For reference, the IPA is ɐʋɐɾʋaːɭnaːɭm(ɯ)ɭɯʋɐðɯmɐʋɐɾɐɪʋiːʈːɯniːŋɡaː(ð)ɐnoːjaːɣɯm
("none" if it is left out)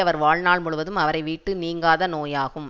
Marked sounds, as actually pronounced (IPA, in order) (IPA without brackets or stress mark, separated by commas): ʊ, ð